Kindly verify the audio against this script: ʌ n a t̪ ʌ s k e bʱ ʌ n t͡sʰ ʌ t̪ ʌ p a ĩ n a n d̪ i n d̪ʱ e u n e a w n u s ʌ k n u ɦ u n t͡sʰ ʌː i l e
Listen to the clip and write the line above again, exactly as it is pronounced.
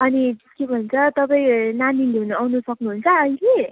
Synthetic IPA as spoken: ʌ n i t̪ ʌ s k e bʱ ʌ n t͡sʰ ʌ t̪ ʌ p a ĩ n a n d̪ i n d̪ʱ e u n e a w n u s ʌ k n u ɦ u n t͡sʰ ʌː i l e